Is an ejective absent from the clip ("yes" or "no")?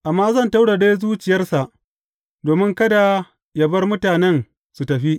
yes